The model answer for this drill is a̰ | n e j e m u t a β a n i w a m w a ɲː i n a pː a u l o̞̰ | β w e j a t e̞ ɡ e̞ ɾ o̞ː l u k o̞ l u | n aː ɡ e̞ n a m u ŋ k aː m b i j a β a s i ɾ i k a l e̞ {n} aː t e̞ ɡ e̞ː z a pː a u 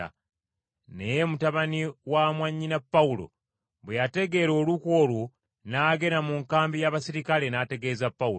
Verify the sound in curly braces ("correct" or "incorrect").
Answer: correct